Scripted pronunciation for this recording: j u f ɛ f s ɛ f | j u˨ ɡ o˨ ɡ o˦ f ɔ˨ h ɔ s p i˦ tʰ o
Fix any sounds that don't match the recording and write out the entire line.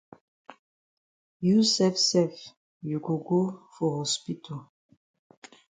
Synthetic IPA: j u s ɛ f s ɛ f | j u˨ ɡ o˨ ɡ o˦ f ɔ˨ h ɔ s p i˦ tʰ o